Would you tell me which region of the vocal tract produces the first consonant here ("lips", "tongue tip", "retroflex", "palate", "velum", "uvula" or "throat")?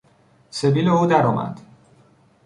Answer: tongue tip